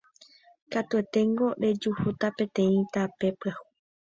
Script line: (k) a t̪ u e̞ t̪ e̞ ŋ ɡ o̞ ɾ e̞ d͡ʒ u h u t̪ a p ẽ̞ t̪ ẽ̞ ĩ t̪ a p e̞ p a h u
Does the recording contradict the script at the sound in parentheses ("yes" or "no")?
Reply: no